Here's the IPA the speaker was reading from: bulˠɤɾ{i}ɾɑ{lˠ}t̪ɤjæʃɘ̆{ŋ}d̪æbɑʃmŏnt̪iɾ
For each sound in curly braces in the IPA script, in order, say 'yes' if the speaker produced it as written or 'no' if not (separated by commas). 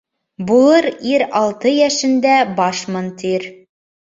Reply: yes, yes, no